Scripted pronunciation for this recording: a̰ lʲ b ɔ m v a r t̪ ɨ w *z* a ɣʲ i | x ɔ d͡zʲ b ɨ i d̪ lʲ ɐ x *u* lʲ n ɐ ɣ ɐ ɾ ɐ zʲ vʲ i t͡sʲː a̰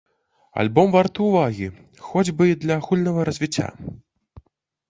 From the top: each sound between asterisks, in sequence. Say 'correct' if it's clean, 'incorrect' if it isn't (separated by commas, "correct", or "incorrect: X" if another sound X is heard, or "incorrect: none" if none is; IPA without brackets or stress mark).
incorrect: v, correct